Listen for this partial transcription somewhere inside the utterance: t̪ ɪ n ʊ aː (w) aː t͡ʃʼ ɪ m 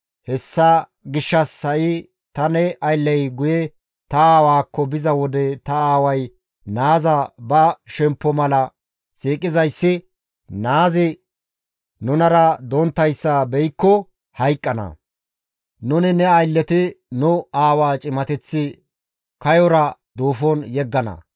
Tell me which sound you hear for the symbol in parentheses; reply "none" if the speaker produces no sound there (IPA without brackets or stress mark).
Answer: w